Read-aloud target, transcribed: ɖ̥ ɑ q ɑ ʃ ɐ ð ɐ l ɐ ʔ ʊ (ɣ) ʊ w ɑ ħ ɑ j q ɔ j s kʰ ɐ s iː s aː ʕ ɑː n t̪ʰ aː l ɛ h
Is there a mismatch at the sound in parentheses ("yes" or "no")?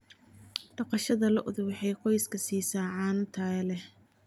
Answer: yes